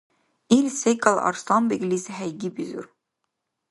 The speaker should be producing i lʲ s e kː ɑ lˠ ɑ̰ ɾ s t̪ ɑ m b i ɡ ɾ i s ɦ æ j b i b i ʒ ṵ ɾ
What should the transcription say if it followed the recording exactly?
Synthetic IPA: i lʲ s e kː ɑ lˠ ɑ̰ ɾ s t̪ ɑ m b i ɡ l i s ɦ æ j ɡ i b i z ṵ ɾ